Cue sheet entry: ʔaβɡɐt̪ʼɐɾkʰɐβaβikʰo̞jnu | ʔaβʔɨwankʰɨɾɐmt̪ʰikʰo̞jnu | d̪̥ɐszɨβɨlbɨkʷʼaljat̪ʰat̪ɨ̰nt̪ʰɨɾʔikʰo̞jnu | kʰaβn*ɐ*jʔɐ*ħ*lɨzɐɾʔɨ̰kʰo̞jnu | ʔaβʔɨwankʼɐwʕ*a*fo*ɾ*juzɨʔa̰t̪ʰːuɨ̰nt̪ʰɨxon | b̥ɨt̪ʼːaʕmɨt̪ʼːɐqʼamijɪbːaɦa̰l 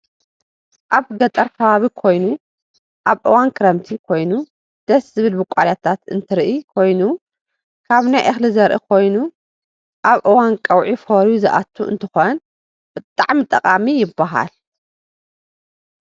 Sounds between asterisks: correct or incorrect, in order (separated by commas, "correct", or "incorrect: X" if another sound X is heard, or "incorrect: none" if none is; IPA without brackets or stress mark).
incorrect: a, incorrect: x, incorrect: i, correct